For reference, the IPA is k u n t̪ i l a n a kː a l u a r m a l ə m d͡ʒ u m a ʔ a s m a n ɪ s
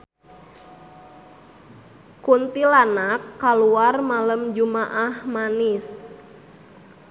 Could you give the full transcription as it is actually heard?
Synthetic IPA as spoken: k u n t̪ i l a n a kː a l u a r m a l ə m d͡ʒ u m a ʔ a h m a n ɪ s